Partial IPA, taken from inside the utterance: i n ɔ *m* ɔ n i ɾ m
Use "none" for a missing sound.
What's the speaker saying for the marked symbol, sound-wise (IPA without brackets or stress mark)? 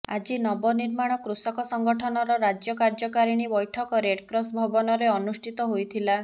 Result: b